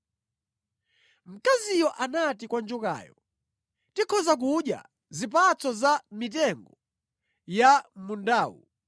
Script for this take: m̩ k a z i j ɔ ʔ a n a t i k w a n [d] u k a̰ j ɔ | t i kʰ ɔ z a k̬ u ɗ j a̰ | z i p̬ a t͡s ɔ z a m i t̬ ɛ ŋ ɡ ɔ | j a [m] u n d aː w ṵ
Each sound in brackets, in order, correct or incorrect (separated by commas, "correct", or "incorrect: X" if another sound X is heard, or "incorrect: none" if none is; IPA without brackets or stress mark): incorrect: d͡ʒ, correct